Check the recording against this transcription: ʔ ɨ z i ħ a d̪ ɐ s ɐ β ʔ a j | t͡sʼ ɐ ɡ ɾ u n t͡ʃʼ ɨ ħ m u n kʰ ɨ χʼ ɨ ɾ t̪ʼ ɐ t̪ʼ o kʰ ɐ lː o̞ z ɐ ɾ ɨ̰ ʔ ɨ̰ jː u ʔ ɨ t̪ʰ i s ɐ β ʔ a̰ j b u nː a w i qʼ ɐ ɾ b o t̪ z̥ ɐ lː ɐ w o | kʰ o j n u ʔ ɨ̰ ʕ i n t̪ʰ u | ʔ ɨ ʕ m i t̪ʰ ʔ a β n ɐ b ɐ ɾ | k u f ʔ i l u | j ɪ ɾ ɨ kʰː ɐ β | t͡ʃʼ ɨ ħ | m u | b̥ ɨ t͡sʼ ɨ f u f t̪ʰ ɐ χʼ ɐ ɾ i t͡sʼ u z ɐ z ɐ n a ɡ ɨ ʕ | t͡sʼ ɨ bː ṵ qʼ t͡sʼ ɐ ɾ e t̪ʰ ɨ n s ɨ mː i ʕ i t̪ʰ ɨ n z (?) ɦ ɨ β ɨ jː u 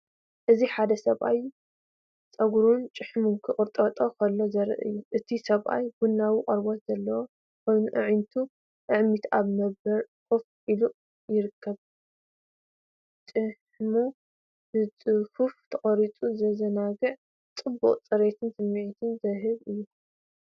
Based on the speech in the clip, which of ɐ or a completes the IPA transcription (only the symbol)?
ɐ